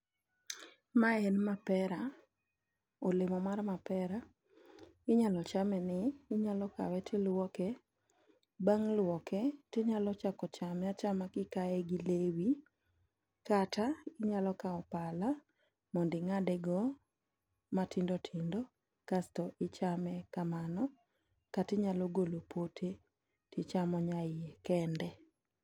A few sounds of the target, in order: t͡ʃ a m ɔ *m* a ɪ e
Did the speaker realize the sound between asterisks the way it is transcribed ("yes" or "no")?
no